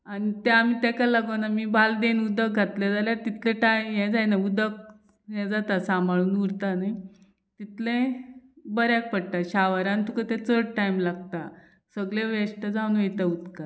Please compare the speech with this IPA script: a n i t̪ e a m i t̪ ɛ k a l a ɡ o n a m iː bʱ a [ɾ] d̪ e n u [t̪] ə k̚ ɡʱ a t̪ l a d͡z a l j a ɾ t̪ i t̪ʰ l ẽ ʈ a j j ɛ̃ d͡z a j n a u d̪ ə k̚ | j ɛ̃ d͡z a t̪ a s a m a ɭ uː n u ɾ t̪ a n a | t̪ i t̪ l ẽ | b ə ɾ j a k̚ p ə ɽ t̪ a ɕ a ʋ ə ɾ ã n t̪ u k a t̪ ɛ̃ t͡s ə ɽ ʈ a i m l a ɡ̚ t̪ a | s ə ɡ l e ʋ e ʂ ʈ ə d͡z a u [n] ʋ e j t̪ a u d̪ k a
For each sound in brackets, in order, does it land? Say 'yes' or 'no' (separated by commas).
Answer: no, no, yes